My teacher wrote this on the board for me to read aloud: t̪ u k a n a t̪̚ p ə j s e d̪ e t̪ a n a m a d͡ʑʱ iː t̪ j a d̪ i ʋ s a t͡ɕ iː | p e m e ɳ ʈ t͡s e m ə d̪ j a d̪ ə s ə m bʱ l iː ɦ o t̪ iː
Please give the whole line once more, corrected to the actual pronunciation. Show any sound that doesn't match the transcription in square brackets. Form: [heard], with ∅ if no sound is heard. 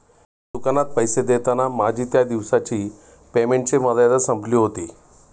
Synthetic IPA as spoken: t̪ u k a n a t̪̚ p ə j s e d̪ e t̪ a n a m a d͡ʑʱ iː t̪ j a d̪ i ʋ s a t͡ɕ iː | p e m e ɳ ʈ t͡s e m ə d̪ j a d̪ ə s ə m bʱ l iː ɦ o t̪ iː